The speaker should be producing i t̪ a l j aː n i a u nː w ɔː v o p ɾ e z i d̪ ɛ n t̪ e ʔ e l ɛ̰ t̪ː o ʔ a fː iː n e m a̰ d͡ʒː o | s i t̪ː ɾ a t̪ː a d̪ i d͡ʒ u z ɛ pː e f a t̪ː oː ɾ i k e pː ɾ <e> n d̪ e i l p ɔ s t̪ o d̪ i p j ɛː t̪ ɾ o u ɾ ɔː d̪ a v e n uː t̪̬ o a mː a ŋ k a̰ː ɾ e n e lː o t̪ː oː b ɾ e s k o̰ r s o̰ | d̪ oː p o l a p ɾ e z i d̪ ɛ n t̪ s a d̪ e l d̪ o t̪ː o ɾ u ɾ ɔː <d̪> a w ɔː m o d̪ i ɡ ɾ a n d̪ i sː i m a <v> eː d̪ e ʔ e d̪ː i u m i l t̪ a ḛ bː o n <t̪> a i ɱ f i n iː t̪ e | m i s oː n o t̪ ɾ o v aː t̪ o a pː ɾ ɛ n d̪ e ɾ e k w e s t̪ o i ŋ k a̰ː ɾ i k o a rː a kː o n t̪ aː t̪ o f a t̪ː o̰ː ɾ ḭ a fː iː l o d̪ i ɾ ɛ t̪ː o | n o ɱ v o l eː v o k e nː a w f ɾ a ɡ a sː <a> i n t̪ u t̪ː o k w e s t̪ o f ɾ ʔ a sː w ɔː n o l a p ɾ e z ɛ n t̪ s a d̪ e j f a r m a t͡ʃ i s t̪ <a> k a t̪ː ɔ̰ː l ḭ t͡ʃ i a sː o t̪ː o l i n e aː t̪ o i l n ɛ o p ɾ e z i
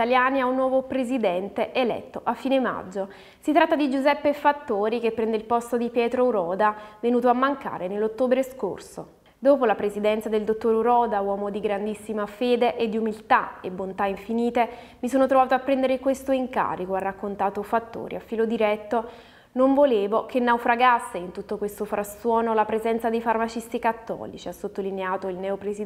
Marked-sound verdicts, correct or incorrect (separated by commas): incorrect, correct, incorrect, correct, incorrect, incorrect